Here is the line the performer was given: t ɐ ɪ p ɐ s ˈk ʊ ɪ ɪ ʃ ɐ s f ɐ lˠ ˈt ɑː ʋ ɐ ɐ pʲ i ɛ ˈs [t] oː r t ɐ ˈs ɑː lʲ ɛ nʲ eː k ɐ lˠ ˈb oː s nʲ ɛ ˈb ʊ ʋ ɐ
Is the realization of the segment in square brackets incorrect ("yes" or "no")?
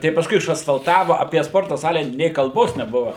yes